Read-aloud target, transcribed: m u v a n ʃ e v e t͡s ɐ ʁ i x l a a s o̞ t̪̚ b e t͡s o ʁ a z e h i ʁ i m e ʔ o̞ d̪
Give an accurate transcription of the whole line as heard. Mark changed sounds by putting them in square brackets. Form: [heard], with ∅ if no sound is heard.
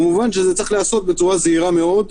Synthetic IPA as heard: m u v a n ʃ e [z] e t͡s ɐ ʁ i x l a a s o̞ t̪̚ b e t͡s [u] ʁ a z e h i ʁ [a] m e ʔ o̞ d̪

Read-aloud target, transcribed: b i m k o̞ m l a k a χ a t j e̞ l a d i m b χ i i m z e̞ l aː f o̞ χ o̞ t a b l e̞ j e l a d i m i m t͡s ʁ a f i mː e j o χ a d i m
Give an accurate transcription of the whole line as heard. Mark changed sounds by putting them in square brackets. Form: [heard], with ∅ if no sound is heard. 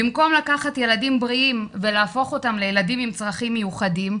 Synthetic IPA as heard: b i m k o̞ m l a k a χ a t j e̞ l a d i m b [ʁ] i i m [v] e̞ l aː f o̞ χ o̞ t a [m] l e̞ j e l a d i m i m t͡s ʁ a [χ] i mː e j [u] χ a d i m

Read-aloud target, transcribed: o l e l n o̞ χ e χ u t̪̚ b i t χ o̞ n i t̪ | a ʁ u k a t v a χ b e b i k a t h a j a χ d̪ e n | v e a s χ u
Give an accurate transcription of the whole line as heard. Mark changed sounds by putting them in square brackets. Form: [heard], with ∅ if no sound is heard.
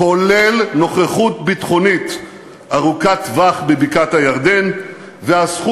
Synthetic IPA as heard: o l e l n o̞ χ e χ u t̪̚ b i t χ o̞ n i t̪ | a ʁ u k a t v a χ b e b i k a t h a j a [ʁ] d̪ e n | v e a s χ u

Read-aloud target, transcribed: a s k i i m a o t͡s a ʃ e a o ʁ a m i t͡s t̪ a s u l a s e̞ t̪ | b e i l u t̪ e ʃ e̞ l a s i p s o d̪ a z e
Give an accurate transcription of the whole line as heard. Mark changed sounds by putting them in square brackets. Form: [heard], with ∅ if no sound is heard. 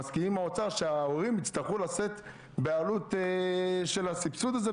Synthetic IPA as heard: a s k i i m a o t͡s a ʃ e a o ʁ [i] m i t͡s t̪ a [χ] u l a s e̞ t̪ | b e [a] l u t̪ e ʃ e̞ l a s i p s [u] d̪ a z e

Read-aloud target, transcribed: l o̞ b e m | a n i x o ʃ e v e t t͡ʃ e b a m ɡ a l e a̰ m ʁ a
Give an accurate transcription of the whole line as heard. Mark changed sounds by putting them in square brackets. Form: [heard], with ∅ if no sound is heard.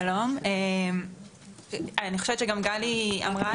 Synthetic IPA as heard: l o̞ [m] e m | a n i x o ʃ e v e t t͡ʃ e [ɡ] a m ɡ a l [i] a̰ m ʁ a

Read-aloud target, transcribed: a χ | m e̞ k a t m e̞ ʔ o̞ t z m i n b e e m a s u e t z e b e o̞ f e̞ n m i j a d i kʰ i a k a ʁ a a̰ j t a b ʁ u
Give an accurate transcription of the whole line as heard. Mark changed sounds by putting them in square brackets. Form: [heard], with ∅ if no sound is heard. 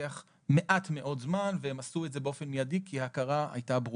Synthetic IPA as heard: a χ | m e̞ [ʔ] a t m e̞ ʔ o̞ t z m [a] n [v] e e m a s u e t z e b e o̞ f e̞ n m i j a d i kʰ i a k a ʁ a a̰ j t a b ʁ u

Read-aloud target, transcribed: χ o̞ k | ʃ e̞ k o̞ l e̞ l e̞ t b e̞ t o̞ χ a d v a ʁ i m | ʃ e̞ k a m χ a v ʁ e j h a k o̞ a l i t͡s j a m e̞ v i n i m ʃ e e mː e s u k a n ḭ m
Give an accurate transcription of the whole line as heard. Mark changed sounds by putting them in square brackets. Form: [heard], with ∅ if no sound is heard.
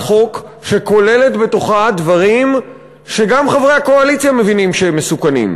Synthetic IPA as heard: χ o̞ k | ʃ e̞ k o̞ l e̞ l e̞ t b e̞ t o̞ χ a d v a ʁ i m | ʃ e̞ [ɡ] a m χ a v ʁ e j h a k o̞ a l i t͡s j a m e̞ v i n i m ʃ e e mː e s u k a n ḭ m

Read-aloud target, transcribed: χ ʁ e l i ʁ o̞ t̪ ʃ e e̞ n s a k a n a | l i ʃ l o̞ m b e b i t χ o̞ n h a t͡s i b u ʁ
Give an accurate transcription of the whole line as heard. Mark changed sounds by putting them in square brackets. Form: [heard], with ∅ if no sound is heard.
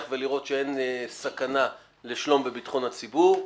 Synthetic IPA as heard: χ [v] e l i ʁ o̞ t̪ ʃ e e̞ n s a k a n a | l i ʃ l o̞ m b e b i t χ o̞ n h a t͡s i b u ʁ

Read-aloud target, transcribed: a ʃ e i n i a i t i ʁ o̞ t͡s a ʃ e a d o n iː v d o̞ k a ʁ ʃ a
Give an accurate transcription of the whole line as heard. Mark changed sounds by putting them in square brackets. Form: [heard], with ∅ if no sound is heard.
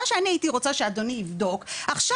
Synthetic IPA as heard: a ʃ e [a] n i a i t i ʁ o̞ t͡s a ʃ e a d o n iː v d o̞ k a [χ] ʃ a

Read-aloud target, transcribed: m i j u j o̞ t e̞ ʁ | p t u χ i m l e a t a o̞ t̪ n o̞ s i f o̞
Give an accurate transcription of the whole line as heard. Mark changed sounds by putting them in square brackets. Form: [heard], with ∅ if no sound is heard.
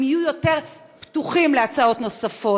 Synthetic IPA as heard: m i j u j o̞ t e̞ ʁ | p t u χ i m l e a [t͡s] a o̞ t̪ n o̞ s [a] f o̞

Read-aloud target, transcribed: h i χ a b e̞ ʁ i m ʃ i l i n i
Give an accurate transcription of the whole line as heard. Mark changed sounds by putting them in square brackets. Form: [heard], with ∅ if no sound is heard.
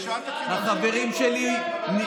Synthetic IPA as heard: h [a] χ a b e̞ ʁ i m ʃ [e] l i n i

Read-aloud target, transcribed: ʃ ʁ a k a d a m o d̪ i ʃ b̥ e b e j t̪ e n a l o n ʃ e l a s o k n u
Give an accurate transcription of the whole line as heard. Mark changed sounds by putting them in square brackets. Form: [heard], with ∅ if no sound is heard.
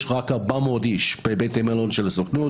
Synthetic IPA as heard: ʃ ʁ a k a [b] a m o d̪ i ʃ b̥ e b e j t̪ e [m] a l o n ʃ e l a s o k n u

